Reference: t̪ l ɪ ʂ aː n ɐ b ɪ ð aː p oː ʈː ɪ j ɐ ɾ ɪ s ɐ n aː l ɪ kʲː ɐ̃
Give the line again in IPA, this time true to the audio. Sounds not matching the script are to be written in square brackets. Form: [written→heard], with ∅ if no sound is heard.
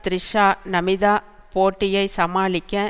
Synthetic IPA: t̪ [l→ɾ] ɪ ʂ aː n ɐ [b→m] ɪ ð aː p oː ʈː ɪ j ɐ [ɾ→∅] ɪ s ɐ [n→m] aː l ɪ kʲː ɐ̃